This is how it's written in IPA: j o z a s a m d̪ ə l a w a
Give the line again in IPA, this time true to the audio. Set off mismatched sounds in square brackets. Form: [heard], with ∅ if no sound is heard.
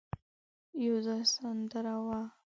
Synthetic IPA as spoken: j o z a s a [n] d̪ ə [ɾ] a w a